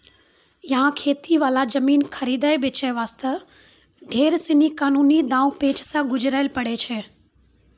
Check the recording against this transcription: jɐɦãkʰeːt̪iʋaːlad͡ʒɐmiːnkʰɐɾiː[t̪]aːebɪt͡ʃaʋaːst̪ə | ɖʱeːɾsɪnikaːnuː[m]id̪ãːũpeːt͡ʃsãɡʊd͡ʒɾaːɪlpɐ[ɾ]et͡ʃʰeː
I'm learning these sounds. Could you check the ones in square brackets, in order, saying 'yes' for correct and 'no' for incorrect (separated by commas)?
no, no, no